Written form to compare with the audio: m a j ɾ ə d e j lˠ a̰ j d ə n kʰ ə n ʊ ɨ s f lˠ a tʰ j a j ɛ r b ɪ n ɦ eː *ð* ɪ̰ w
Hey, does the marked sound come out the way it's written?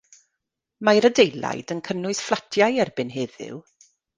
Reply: yes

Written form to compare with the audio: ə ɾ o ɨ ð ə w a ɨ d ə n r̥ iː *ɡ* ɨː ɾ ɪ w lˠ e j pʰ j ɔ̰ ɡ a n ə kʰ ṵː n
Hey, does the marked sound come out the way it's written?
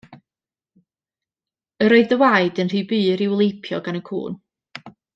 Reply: no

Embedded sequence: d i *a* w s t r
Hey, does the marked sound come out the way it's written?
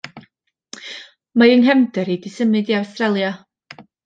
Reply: yes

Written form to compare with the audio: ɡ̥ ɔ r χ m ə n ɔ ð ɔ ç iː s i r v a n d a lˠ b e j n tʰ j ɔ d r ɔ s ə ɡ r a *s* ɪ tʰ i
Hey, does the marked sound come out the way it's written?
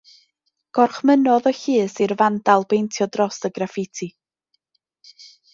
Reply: no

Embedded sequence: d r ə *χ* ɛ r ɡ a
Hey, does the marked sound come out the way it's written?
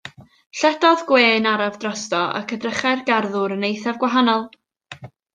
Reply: yes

